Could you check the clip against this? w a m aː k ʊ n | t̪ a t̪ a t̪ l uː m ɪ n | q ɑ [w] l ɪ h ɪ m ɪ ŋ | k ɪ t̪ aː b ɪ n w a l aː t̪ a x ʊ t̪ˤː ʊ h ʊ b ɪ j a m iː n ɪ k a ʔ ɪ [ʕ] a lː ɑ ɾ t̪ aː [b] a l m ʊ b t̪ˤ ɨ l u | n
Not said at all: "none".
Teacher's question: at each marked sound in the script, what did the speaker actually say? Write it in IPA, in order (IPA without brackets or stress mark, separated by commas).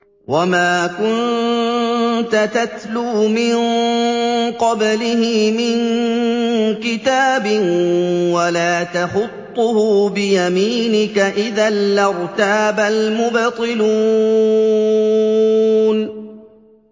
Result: b, ð, b